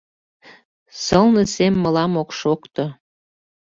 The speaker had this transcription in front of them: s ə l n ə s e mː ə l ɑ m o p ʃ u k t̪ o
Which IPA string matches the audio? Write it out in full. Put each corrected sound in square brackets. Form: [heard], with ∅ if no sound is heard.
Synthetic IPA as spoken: s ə l n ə s e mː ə l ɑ m o [k] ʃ [o] k t̪ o